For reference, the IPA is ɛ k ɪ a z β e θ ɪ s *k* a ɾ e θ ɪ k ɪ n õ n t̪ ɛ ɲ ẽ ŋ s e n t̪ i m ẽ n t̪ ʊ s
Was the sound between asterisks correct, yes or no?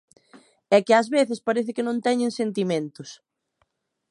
no